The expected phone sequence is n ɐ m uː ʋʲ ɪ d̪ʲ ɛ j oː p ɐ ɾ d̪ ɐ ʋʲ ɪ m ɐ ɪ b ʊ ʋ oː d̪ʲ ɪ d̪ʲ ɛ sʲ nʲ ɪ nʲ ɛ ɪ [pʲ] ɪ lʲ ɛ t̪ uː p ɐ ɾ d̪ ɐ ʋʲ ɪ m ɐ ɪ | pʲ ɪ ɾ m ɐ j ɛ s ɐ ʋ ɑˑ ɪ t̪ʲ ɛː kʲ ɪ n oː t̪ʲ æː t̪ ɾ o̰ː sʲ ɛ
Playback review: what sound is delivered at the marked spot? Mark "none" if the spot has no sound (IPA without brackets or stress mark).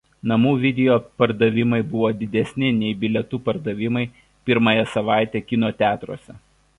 bʲ